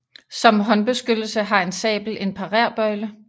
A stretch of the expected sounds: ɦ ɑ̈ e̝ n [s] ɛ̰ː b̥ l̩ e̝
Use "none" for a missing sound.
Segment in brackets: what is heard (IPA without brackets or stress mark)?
s